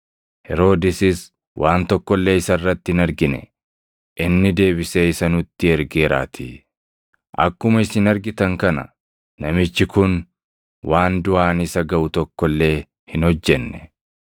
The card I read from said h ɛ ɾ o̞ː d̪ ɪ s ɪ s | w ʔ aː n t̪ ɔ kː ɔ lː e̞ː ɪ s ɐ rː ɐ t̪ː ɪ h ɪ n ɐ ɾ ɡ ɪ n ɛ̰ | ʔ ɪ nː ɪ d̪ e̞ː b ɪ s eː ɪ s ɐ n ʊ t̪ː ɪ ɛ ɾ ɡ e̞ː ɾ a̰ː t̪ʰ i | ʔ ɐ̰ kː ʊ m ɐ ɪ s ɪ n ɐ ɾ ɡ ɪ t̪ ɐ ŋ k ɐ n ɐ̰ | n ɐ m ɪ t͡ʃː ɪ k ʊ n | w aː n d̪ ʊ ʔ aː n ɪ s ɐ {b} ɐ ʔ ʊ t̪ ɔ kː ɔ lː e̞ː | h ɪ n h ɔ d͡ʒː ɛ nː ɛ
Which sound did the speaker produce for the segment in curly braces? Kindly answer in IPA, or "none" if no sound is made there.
ɡ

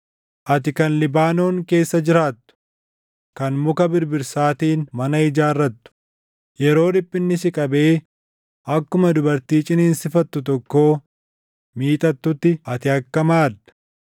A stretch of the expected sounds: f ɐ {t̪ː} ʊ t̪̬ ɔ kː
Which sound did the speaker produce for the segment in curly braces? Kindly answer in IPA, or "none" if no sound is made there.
t̪ː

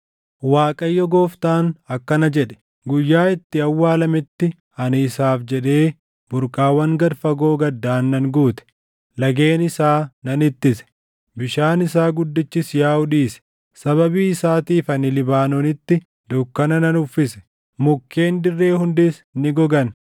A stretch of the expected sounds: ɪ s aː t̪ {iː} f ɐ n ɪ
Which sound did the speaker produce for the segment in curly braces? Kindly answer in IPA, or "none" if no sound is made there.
iː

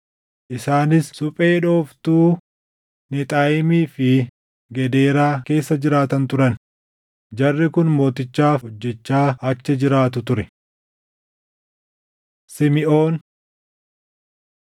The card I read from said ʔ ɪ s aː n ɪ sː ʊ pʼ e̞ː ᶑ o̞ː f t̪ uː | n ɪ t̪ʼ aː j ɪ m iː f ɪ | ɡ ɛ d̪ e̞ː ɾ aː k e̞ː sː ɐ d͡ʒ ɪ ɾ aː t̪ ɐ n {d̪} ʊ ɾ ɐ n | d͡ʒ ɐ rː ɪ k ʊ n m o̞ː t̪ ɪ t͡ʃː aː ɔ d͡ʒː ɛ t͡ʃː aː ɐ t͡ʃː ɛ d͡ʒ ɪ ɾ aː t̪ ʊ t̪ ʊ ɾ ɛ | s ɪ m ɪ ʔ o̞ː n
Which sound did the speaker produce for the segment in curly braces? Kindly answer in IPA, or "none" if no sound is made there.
t̪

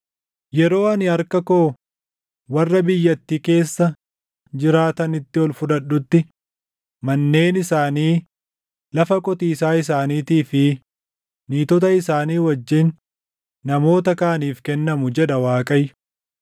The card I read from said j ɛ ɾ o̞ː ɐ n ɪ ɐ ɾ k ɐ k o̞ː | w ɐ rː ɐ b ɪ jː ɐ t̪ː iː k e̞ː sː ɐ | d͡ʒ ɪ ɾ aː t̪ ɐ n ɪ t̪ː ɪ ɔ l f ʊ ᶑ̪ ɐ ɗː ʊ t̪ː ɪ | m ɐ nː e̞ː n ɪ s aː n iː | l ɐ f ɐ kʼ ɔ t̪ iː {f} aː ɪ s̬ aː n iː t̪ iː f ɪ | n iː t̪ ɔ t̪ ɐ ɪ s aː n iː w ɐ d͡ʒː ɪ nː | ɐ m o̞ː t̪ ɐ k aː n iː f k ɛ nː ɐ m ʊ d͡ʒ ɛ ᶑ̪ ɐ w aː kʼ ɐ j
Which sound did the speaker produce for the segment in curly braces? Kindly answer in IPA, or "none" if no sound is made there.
s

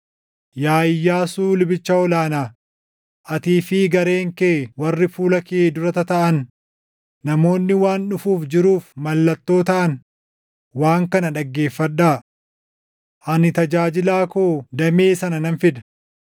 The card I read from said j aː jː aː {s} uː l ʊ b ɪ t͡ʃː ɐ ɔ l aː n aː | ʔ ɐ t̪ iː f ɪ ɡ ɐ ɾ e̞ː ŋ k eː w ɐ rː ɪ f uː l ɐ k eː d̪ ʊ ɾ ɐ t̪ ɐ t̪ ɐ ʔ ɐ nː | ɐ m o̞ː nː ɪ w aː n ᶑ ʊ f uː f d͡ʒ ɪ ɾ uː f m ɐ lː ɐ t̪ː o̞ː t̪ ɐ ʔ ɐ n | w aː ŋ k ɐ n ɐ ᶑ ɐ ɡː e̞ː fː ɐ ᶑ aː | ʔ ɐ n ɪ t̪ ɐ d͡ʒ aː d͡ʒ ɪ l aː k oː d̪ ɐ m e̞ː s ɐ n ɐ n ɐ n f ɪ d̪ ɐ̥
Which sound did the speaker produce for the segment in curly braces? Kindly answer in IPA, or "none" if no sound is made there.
s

